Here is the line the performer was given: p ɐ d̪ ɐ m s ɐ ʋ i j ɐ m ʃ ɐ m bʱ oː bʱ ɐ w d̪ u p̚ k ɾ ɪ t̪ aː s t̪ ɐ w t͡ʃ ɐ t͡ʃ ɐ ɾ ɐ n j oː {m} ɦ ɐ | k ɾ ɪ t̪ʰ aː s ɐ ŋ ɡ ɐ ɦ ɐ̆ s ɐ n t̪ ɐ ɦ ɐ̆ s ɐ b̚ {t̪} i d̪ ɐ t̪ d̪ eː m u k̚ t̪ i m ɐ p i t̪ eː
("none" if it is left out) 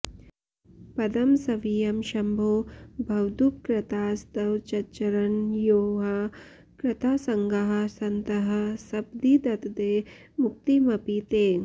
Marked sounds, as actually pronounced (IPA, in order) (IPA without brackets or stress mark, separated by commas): none, d̪